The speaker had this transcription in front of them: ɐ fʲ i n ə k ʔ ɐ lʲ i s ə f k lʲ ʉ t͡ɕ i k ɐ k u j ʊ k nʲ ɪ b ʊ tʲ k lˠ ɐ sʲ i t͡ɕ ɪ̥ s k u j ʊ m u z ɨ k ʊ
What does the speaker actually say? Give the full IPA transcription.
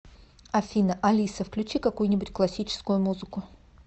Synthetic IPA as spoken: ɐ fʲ i n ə ʔ ɐ lʲ i s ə f k lʲ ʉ t͡ɕ i k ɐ k u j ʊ nʲ ɪ b ʊ tʲ k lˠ ɐ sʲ i t͡ɕ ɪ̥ s k ʊ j ʊ m u z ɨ k ʊ